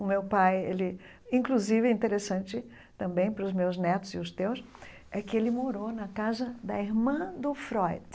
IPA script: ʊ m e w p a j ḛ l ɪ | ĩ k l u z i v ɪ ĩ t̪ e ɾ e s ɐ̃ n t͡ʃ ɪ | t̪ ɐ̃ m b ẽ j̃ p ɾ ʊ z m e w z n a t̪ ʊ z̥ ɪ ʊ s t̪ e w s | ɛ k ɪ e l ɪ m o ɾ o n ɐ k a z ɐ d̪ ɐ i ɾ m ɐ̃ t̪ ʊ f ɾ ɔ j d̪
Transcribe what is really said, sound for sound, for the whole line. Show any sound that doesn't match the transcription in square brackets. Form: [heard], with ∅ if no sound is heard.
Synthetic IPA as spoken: ʊ m e w p a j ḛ l ɪ | ĩ k l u z i v ɪ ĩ t̪ e ɾ e s ɐ̃ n t͡ʃ ɪ | t̪ ɐ̃ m b ẽ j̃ p ɾ ʊ z m e w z n [ɛ] t̪ ʊ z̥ ɪ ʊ s t̪ e w s | ɛ k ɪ e l ɪ m o ɾ o n ɐ k a z ɐ d̪ ɐ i ɾ m ɐ̃ [d̪] ʊ f ɾ ɔ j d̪